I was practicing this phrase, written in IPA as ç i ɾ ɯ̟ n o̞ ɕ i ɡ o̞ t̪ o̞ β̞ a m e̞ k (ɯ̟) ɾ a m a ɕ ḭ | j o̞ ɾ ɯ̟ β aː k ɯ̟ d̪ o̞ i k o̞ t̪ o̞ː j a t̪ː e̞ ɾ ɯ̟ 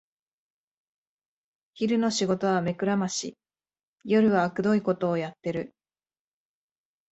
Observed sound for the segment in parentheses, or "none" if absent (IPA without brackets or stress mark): ɯ̟